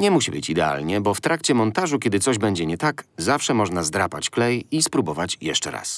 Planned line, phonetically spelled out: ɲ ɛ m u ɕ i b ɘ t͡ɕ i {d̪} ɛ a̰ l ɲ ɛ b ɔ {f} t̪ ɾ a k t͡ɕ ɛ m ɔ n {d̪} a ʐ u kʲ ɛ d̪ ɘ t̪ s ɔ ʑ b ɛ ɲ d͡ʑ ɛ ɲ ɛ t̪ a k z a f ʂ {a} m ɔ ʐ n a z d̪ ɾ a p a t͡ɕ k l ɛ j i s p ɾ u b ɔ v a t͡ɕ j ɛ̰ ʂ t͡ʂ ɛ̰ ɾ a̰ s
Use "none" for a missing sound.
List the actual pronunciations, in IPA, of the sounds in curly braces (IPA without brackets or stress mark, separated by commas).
d̪, f, t̪, ɛ